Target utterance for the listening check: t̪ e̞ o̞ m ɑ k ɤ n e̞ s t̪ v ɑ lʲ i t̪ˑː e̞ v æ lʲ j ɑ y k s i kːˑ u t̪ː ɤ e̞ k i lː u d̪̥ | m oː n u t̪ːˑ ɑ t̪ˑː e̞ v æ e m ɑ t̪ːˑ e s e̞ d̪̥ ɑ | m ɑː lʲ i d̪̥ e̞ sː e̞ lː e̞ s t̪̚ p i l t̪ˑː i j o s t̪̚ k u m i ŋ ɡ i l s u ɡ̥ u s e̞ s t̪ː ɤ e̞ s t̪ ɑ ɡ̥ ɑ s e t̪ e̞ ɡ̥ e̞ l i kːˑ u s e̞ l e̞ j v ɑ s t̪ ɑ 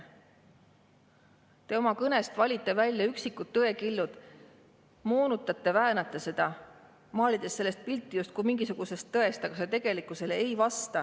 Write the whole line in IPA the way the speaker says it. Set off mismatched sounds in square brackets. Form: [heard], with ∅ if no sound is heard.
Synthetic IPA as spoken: t̪ e̞ o̞ m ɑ k ɤ n e̞ s t̪ v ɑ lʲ i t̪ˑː e̞ v æ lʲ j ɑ y k s i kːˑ u t̪ː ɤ e̞ k i lː u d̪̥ | m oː n u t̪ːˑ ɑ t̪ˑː e̞ v æ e [n] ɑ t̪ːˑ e s e̞ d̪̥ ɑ | m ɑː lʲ i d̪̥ e̞ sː e̞ lː e̞ s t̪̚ p i l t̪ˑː i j [u] s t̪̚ k u m i ŋ ɡ i [∅] s u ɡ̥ u s e̞ s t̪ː ɤ e̞ s t̪ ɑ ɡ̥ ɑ s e t̪ e̞ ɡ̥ e̞ l i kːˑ u s e̞ l e̞ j v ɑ s t̪ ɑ